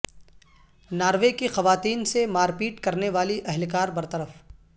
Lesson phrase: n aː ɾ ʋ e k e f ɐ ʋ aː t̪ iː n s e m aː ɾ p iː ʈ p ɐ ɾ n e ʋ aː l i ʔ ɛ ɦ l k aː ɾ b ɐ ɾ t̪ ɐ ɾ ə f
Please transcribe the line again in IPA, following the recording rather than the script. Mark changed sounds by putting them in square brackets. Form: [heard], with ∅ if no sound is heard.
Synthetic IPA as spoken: n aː ɾ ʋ e k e [x] ɐ ʋ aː t̪ iː n s e m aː ɾ p iː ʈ [k] ɐ ɾ n e ʋ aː l i ʔ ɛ ɦ l k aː ɾ b ɐ ɾ t̪ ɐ ɾ ə f